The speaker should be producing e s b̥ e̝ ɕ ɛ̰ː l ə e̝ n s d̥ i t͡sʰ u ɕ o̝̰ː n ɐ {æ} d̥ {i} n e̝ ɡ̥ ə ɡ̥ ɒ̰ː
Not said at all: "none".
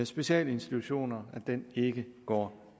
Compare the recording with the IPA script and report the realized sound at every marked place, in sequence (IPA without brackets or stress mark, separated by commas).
æ, e